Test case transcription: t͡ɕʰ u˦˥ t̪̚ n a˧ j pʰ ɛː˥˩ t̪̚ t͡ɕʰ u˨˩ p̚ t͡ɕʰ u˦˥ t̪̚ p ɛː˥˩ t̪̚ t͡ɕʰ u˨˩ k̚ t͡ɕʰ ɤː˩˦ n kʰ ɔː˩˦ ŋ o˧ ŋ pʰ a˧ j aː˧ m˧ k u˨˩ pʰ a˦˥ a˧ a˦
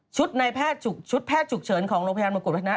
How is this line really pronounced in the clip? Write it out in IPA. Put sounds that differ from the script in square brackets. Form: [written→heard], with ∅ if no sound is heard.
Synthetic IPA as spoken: t͡ɕʰ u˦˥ t̪̚ n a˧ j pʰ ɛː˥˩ t̪̚ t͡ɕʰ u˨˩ [p̚→k̚] t͡ɕʰ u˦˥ t̪̚ [p→pʰ] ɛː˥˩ t̪̚ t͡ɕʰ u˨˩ k̚ t͡ɕʰ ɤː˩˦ n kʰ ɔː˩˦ ŋ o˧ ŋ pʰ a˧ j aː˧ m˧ k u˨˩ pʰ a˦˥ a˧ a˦